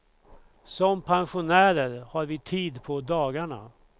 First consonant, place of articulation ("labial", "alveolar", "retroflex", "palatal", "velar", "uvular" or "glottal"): alveolar